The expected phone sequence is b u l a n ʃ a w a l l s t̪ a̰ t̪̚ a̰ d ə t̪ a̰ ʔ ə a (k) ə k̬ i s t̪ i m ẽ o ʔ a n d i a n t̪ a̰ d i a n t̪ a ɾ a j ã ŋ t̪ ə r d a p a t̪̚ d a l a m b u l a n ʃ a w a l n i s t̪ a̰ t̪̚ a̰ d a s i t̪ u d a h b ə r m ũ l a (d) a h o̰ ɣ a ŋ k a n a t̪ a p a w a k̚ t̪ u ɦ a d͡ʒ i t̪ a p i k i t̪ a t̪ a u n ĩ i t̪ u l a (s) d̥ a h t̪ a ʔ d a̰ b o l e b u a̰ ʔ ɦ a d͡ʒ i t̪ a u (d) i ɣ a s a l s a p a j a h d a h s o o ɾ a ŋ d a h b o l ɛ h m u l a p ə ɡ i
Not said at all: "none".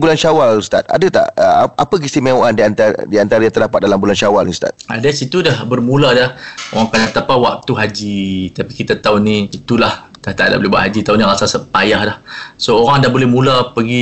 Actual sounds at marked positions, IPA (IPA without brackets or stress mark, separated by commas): p, d, h, n